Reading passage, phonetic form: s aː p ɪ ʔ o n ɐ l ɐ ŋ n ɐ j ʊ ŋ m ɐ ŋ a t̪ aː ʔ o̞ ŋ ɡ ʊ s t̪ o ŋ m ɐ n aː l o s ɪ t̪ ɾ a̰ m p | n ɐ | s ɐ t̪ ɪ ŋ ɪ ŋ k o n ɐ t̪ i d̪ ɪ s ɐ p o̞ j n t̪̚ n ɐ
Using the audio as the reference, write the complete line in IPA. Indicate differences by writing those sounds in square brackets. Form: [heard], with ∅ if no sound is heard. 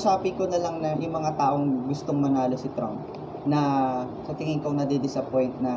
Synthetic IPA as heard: s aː p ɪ [k] o n ɐ l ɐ ŋ n ɐ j ʊ ŋ m ɐ ŋ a t̪ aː ʔ o̞ ŋ ɡ ʊ s t̪ o ŋ m ɐ n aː l o s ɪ t̪ ɾ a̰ m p | n ɐ | s ɐ t̪ ɪ ŋ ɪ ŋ k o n ɐ [d̪] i d̪ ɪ s ɐ p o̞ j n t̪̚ n ɐ